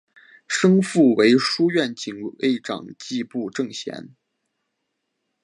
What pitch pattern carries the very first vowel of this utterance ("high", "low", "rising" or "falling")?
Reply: high